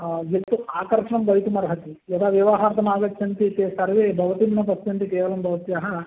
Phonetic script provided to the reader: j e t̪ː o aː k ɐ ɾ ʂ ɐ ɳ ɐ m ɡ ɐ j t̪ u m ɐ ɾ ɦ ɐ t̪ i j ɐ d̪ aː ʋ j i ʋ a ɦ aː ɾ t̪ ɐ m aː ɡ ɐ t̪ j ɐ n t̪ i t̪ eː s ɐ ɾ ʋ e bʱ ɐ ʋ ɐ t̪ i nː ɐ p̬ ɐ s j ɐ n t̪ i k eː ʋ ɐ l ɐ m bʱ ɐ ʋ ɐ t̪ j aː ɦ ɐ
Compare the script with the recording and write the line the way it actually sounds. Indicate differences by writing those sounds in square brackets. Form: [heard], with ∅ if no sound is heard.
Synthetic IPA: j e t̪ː [u] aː k ɐ ɾ ʂ ɐ ɳ ɐ m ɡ ɐ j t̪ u m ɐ ɾ ɦ ɐ t̪ i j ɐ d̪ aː ʋ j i ʋ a ɦ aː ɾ t̪ ɐ m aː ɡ ɐ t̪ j ɐ n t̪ i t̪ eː s ɐ ɾ ʋ e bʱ ɐ ʋ ɐ t̪ i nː ɐ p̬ ɐ s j ɐ n t̪ i k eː ʋ ɐ l ɐ m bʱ ɐ ʋ ɐ t̪ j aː ɦ ɐ